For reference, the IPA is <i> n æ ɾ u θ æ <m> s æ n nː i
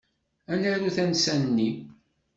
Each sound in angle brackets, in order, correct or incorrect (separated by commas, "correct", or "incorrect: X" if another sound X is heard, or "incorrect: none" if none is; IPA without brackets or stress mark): incorrect: æ, incorrect: n